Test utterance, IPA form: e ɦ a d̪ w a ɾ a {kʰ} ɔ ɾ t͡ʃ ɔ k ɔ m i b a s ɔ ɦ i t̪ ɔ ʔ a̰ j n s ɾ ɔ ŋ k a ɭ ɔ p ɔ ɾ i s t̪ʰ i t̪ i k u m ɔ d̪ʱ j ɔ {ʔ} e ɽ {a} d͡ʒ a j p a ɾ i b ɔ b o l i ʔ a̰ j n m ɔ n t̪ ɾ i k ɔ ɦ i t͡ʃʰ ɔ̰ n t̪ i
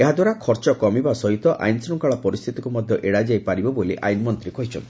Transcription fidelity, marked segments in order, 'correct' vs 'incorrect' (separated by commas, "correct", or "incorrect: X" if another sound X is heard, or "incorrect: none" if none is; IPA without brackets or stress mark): correct, correct, correct